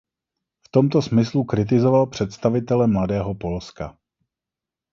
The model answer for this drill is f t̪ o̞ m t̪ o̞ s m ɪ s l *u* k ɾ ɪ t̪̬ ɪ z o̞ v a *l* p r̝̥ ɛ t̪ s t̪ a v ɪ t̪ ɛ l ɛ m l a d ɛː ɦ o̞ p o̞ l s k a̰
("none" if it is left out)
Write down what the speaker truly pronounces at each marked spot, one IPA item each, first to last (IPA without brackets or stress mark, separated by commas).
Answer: u, l